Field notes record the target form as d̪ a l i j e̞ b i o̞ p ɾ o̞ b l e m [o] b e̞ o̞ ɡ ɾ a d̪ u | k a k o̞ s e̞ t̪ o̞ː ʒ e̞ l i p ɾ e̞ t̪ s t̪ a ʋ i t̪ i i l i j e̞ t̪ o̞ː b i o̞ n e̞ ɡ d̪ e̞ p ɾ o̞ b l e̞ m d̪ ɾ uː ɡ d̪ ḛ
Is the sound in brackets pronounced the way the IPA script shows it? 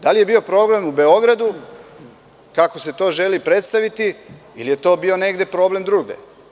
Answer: no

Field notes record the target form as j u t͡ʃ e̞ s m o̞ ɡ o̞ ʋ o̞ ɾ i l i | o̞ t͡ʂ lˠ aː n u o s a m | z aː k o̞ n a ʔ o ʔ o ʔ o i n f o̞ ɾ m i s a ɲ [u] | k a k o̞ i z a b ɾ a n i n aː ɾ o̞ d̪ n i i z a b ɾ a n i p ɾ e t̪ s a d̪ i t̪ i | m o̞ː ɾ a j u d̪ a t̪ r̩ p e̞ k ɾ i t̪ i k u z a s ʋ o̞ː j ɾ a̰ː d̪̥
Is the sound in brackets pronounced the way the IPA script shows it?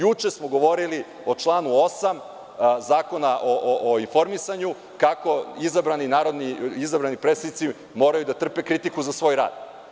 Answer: yes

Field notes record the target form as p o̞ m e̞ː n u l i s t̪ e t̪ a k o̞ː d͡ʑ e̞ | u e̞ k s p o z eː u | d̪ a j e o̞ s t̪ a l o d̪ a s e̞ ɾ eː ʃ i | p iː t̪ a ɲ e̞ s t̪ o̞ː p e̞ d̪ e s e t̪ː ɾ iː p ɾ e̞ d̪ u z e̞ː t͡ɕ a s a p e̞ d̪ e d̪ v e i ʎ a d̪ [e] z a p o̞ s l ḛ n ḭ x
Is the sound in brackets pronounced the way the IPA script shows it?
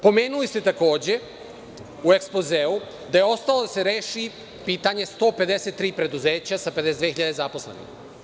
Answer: yes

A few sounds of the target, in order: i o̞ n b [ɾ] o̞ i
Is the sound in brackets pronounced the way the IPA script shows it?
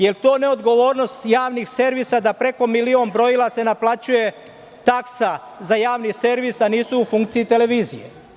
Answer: yes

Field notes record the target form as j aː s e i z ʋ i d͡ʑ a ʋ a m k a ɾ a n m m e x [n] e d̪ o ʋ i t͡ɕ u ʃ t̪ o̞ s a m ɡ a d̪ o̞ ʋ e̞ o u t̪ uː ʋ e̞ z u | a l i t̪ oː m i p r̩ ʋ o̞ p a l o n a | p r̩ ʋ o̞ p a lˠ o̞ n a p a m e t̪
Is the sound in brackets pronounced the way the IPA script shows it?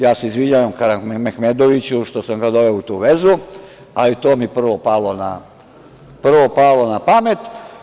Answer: no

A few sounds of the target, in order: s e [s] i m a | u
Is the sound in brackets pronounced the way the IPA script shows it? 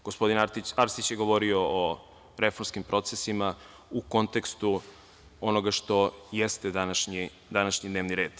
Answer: yes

